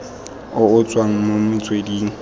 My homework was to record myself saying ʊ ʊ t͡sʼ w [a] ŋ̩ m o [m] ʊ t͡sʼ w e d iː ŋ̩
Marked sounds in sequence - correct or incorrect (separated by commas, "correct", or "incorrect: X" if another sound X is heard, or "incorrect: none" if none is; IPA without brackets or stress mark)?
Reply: correct, correct